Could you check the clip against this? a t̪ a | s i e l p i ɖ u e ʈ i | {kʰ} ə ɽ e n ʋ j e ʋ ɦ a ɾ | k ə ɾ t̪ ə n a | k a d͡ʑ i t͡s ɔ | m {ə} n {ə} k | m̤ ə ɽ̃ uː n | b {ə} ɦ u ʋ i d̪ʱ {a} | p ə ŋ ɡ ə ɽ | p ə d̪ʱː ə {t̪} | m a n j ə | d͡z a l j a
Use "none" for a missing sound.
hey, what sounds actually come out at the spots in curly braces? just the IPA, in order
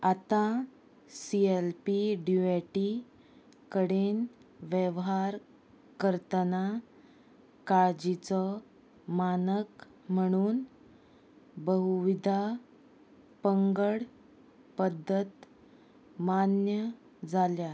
k, a, ə, ə, a, t̪

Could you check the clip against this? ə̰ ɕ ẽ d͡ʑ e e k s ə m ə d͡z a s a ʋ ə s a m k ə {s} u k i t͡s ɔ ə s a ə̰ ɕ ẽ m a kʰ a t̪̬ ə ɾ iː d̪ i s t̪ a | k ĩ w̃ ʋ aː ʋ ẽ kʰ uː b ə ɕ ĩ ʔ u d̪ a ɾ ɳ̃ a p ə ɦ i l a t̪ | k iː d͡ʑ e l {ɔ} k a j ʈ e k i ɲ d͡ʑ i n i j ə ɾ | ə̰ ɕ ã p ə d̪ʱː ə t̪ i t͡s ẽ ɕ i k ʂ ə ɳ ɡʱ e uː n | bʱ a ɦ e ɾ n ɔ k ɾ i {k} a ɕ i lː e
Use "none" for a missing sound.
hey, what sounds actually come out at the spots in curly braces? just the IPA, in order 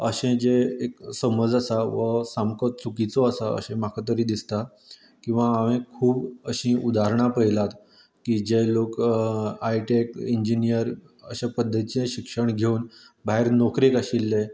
t͡s, o, k

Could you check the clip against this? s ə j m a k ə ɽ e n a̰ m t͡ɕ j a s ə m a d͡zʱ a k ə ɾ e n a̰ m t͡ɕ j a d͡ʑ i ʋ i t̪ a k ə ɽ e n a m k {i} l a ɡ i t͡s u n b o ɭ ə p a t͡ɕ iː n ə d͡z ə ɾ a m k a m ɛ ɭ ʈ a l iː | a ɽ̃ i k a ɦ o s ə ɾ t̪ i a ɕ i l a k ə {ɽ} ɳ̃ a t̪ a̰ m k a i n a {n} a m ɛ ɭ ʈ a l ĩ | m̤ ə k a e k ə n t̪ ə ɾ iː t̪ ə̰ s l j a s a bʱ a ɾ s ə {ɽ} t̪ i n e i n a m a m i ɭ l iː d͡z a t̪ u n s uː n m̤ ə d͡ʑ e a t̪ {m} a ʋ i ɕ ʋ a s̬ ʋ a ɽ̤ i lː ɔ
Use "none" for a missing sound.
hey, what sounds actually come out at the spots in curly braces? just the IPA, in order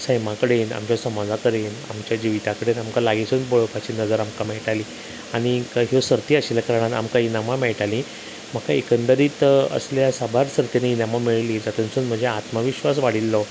a, ɾ, m, ɾ, m

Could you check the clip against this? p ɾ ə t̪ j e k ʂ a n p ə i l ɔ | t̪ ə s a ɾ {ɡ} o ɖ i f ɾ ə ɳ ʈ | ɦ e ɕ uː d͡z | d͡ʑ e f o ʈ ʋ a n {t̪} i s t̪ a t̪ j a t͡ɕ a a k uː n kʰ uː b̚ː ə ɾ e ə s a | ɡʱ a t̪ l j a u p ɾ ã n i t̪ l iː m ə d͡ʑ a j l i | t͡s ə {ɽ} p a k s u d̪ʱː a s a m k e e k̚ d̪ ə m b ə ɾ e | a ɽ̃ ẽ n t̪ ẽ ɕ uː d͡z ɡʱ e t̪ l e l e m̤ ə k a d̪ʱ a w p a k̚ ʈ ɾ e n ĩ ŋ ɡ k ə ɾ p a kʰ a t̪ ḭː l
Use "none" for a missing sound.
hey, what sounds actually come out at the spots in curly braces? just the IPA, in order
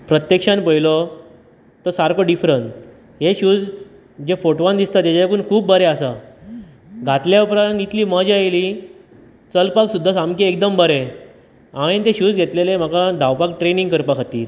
k, d̪, l

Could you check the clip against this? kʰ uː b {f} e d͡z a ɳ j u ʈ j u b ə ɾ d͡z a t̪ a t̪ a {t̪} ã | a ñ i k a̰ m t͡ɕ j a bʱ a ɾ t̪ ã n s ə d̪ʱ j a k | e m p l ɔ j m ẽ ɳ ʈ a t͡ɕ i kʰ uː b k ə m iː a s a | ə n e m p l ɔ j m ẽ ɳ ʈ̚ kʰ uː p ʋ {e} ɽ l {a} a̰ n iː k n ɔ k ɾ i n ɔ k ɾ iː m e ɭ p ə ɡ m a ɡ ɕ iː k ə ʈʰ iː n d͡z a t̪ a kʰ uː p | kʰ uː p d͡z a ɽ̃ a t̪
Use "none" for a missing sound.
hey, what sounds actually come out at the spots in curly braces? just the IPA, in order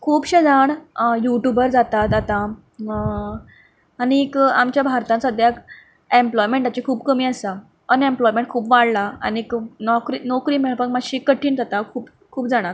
ɕ, t̪, a, a

